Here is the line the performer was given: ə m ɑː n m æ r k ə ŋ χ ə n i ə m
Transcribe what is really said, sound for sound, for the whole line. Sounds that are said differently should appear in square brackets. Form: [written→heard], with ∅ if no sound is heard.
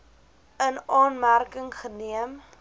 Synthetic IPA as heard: ə [m→n] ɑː n m æ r k ə ŋ χ ə n i ə m